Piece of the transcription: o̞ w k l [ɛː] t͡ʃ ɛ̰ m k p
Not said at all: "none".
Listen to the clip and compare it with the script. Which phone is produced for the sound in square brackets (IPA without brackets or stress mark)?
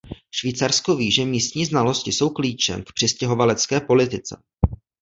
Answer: iː